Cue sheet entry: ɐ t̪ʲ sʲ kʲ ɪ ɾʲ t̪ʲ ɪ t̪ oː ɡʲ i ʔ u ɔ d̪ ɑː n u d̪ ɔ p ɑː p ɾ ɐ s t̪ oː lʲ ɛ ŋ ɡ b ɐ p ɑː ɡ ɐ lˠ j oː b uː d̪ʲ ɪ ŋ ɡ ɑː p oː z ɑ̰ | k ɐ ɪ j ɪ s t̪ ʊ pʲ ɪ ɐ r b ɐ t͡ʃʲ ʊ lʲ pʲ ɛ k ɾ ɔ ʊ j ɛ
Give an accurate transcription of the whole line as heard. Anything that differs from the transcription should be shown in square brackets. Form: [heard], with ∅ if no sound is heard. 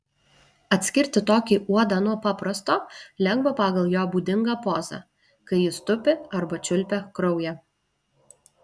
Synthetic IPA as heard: ɐ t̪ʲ sʲ kʲ ɪ ɾʲ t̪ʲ ɪ t̪ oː [kʲ] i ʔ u ɔ d̪ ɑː n u [∅] ɔ p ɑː p ɾ ɐ s t̪ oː lʲ ɛ ŋ ɡ b ɐ p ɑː ɡ ɐ lˠ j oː b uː d̪ʲ ɪ ŋ ɡ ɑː p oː z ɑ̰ | k ɐ ɪ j ɪ s t̪ ʊ pʲ ɪ ɐ [ɾ] b ɐ t͡ʃʲ ʊ lʲ pʲ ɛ k ɾ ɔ ʊ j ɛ